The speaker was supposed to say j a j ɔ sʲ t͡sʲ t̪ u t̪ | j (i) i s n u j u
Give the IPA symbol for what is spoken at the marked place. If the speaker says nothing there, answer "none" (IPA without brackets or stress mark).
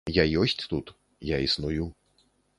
a